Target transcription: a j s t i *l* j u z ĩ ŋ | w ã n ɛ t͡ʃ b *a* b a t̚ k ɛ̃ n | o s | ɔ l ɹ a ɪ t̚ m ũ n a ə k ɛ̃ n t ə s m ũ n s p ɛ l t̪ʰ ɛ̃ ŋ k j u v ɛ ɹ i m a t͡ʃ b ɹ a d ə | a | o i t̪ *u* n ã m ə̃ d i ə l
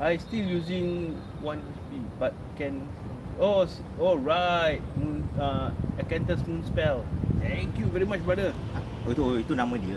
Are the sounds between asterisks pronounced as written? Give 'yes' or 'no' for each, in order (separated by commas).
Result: yes, no, yes